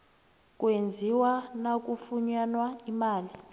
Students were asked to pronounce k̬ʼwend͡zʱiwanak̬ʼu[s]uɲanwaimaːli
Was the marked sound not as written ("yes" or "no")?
yes